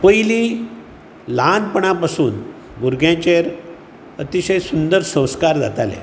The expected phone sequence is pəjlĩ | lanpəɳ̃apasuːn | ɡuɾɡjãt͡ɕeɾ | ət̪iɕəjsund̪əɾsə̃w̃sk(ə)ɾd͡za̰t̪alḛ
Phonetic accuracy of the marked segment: incorrect: a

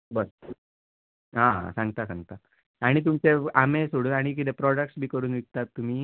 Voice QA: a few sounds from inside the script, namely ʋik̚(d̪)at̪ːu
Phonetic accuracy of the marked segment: incorrect: t̪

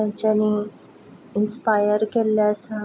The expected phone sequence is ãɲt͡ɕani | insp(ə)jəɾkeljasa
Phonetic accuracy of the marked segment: incorrect: a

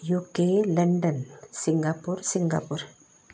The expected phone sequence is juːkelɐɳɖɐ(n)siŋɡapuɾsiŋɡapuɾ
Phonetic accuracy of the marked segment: correct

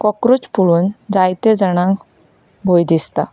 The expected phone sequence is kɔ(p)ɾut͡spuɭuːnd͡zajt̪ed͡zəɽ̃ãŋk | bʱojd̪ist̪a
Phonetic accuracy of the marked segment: incorrect: k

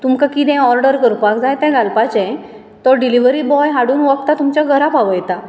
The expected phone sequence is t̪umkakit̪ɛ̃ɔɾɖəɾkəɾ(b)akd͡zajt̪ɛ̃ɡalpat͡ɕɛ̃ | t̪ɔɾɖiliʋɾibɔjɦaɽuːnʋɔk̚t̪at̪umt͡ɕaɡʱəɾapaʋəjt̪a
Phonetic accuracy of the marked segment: incorrect: p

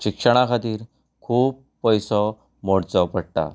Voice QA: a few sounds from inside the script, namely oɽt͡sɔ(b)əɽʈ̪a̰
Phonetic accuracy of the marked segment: incorrect: p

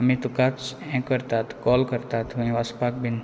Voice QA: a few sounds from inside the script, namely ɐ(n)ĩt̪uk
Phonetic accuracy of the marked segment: incorrect: m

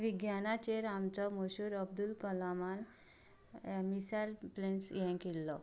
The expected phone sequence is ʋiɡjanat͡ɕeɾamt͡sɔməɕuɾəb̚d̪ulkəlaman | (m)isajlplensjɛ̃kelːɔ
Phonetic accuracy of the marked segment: correct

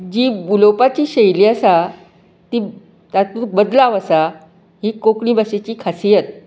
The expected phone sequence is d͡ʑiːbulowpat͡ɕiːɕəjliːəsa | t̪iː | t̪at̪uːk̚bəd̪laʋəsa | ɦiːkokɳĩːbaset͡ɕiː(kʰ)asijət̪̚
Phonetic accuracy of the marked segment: correct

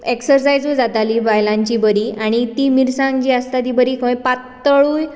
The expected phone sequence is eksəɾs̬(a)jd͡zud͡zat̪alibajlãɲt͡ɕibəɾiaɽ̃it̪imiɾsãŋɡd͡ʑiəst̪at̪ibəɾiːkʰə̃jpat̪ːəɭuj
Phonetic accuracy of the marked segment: correct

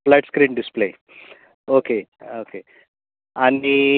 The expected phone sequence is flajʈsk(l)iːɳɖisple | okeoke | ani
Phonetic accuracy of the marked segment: incorrect: ɾ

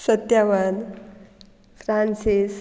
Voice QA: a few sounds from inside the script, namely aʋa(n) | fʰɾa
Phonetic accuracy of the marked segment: correct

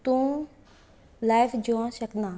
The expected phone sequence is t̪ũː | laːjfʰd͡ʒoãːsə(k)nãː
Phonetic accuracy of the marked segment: correct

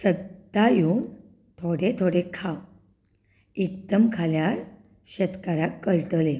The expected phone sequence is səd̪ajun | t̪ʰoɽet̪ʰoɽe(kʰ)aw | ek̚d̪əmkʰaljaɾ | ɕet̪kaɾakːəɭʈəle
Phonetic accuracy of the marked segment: correct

